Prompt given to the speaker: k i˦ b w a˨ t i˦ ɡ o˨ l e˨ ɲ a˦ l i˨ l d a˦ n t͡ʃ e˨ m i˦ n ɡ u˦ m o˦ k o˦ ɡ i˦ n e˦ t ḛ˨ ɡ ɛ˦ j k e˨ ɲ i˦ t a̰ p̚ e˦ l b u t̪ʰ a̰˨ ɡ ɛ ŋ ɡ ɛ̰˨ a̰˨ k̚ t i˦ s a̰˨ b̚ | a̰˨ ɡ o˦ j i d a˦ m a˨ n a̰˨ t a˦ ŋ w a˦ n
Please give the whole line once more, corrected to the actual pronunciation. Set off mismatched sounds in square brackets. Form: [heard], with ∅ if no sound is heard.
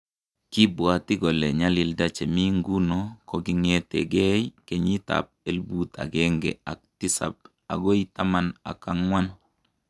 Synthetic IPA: k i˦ b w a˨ t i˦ ɡ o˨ l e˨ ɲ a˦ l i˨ l d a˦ [∅] t͡ʃ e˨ m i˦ [ŋ] ɡ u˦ [n] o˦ k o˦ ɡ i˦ [ŋ] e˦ t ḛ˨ ɡ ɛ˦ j k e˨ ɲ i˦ t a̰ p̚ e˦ l b u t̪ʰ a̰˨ ɡ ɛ ŋ ɡ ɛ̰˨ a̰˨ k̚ t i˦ s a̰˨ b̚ | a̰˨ ɡ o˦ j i [t] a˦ m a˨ n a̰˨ [k] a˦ ŋ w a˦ n